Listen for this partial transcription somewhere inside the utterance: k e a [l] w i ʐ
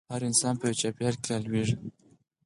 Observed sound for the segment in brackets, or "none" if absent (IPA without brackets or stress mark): l